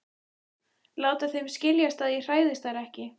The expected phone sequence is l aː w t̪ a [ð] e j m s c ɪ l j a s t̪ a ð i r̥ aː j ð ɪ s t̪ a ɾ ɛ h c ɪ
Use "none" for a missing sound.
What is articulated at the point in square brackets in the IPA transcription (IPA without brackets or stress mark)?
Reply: θ